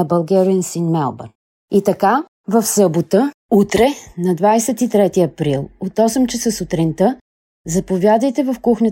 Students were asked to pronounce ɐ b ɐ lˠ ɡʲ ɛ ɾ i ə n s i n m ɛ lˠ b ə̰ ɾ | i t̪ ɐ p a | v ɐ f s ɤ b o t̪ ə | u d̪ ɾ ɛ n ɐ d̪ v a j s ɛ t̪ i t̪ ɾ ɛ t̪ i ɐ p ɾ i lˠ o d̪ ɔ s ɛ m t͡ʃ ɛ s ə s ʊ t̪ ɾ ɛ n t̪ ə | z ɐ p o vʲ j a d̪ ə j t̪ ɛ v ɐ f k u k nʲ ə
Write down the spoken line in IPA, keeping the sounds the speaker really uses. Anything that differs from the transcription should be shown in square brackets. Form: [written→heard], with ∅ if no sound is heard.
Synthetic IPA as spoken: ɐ b ɐ lˠ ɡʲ ɛ ɾ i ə n s i n m ɛ lˠ b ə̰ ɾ | i t̪ ɐ [p→k] a | v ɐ f s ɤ b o t̪ ə | u [d̪→t̪] ɾ ɛ n ɐ d̪ v a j s ɛ t̪ i t̪ ɾ ɛ t̪ i ɐ p ɾ i lˠ o [d̪→t̪] ɔ s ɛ m t͡ʃ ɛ s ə s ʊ t̪ ɾ [ɛ→i] n t̪ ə | z ɐ p o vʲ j a d̪ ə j t̪ ɛ v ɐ f k u [k→x] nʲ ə